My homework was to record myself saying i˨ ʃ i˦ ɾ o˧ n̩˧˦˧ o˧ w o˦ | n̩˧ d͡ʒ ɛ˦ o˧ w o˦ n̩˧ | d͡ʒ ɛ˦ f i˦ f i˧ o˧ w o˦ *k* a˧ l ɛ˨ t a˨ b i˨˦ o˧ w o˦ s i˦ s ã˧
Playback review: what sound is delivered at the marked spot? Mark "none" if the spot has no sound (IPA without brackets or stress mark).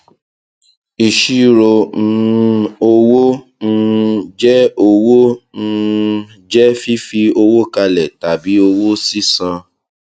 k